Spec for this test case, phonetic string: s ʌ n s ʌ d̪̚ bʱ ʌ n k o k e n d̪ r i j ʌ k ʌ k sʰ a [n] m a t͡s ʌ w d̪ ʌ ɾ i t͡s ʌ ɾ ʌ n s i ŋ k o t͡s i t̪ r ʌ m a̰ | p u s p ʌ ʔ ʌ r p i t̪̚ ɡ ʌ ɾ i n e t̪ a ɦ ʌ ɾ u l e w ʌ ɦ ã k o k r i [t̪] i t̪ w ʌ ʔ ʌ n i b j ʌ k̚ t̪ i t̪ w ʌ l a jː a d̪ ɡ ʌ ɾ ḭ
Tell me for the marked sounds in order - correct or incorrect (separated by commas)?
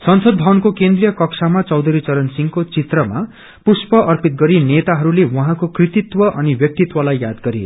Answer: incorrect, correct